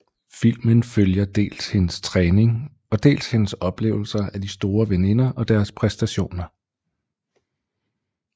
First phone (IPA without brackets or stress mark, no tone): f